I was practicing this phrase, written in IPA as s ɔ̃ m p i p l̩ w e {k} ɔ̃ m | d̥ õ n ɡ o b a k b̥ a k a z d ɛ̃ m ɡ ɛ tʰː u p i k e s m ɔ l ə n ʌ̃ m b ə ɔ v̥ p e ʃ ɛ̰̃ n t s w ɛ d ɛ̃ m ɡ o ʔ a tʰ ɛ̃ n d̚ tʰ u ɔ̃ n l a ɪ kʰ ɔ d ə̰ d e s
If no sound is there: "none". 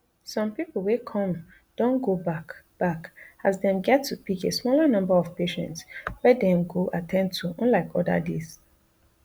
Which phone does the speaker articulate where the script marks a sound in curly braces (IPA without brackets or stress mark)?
kʰ